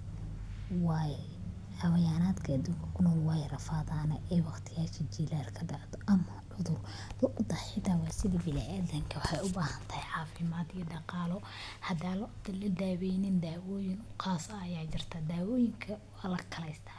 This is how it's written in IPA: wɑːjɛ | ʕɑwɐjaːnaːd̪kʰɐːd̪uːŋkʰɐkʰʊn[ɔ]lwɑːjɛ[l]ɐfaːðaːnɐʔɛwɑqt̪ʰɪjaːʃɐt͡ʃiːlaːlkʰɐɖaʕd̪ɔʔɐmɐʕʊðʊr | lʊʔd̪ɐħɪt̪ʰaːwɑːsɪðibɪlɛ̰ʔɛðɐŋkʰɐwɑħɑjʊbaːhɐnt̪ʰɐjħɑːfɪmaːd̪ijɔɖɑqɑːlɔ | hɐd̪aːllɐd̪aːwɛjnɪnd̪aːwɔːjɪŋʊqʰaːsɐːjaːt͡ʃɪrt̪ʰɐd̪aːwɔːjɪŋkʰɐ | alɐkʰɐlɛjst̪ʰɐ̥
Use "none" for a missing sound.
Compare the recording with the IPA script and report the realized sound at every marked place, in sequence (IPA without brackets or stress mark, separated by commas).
ɔː, r